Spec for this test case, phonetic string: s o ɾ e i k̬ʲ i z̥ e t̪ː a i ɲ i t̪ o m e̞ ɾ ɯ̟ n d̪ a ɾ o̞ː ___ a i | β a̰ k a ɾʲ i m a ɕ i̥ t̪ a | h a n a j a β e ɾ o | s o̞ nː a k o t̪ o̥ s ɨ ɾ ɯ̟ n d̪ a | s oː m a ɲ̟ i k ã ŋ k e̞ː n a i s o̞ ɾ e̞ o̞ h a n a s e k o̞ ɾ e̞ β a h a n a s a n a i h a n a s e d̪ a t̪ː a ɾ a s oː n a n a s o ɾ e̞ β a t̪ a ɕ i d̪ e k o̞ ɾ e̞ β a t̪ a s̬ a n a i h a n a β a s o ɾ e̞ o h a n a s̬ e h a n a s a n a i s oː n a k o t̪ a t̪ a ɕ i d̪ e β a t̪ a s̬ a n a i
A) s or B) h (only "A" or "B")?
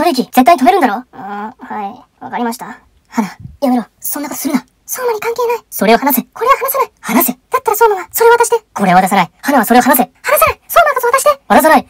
B